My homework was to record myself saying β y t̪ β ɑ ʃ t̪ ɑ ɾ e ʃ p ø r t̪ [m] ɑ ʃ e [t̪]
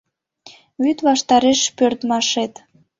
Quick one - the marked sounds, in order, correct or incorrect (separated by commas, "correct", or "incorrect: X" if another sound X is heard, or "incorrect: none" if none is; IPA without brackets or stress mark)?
correct, correct